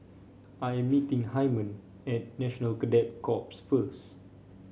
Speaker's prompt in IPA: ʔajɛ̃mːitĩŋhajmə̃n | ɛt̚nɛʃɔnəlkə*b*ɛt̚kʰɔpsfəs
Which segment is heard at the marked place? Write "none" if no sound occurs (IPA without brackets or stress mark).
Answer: d